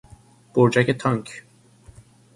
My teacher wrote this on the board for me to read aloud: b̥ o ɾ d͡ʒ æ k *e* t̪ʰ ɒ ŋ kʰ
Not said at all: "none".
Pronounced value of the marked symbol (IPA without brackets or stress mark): e